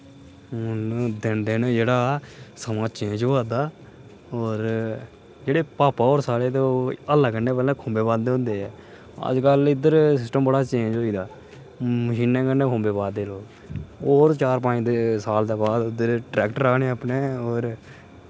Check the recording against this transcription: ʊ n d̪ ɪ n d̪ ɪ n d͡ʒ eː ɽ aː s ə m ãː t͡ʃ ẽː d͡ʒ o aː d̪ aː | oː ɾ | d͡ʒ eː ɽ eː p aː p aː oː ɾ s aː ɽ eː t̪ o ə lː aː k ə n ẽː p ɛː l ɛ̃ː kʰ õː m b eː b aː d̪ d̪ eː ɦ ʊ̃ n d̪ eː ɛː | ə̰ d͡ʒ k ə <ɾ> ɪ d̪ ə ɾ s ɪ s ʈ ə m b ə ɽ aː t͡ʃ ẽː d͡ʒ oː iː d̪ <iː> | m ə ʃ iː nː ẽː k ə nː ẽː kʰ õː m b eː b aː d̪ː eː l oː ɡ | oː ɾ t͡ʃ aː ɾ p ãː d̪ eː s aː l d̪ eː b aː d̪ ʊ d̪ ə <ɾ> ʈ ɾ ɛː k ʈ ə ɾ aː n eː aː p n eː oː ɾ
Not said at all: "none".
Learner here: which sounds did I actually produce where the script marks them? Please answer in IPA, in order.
l, aː, ɾ

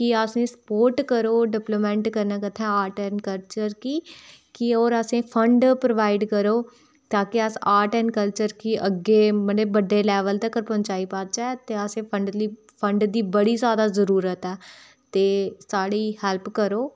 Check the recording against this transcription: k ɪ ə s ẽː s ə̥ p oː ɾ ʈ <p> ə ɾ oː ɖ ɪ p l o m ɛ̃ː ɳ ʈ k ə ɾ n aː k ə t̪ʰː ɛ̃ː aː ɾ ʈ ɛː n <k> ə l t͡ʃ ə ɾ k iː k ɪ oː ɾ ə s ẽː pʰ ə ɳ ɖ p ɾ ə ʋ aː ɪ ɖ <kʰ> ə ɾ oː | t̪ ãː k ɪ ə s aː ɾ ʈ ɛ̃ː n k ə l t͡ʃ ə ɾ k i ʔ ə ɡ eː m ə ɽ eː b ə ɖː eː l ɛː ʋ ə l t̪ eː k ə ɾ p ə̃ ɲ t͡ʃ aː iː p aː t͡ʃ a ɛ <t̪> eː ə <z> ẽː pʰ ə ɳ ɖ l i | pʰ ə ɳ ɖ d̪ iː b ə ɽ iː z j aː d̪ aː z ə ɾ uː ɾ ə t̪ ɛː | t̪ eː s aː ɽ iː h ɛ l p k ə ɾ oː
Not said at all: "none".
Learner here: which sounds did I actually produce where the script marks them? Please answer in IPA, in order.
k, k, k, t̪, s

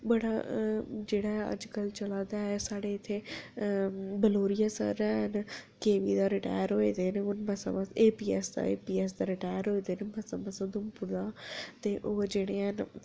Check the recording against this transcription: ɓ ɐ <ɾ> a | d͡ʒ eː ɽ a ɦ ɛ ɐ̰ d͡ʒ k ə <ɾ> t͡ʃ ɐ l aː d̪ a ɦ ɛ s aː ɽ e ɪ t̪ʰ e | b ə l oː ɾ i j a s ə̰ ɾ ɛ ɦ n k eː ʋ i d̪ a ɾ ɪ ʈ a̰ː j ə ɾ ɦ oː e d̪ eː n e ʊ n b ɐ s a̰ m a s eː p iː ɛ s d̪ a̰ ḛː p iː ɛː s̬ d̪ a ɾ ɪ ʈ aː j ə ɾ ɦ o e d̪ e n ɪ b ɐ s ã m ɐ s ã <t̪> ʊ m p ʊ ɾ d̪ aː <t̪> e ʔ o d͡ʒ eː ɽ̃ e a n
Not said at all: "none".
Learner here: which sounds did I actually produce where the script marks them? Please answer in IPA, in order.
ɽ, l, d̪, t̪

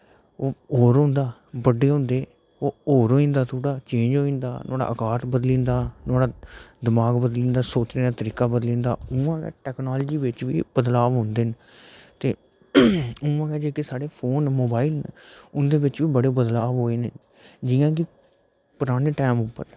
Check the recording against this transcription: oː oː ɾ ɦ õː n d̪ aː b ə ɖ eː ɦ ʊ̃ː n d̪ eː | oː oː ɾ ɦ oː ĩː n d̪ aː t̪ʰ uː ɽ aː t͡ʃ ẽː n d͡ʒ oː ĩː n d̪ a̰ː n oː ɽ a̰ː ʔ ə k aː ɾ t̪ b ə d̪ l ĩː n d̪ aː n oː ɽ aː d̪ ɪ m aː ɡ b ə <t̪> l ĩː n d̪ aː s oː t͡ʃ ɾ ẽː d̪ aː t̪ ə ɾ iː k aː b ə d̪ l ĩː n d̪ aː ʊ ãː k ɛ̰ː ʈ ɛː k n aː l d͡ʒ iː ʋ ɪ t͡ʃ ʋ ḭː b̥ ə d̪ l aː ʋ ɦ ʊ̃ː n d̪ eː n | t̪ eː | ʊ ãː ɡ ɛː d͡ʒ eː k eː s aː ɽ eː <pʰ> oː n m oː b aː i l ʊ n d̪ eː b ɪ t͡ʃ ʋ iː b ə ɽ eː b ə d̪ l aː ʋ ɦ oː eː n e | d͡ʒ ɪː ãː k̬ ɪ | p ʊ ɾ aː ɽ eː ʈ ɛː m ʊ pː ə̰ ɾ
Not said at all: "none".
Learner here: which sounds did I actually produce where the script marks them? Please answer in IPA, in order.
d̪, pʰ

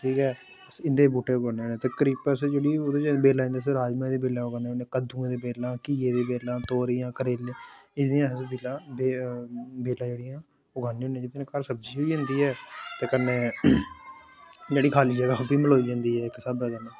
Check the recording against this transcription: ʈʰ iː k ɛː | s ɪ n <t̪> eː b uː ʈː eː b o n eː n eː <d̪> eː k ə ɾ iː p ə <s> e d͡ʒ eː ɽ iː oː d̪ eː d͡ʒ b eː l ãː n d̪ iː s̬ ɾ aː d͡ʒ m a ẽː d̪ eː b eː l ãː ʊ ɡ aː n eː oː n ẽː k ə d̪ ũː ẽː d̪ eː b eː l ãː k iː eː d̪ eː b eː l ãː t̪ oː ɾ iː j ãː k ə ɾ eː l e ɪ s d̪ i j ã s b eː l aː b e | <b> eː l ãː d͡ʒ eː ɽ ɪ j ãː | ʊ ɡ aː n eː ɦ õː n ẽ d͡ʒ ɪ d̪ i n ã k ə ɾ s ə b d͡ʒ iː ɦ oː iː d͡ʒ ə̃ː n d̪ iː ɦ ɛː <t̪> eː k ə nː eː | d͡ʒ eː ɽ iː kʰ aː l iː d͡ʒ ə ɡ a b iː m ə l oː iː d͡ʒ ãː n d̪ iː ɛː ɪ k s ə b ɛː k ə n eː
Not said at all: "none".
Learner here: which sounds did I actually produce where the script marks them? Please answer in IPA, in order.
d̪, t̪, s, b, t̪

